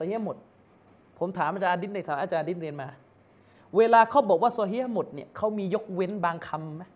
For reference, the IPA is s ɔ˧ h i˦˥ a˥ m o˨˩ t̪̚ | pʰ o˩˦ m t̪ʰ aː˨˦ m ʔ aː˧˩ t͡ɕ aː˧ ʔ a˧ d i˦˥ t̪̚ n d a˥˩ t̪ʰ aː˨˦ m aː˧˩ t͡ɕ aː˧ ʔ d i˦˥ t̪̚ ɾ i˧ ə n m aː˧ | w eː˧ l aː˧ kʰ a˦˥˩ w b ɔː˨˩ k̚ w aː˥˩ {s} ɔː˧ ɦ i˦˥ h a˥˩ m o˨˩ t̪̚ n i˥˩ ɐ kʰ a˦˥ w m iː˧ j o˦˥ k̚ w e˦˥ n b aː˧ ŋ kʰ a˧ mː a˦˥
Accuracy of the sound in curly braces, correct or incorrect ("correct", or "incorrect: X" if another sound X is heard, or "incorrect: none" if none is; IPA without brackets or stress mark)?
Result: correct